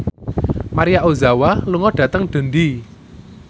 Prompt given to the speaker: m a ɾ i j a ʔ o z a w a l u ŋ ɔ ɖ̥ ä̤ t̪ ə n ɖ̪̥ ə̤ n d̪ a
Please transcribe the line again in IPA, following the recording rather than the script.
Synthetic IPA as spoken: m a ɾ i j a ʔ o z a w a l u ŋ ɔ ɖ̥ ä̤ t̪ ə ŋ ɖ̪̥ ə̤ n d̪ i